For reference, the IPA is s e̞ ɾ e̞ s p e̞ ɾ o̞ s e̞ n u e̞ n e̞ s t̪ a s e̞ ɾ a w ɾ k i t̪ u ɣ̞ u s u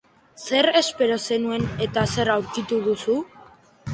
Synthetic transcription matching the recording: s e̞ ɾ e̞ s p e̞ ɾ o̞ s e̞ n u e̞ n e̞ t̪ a s e̞ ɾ a w ɾ k i t̪ u ð̞ u s u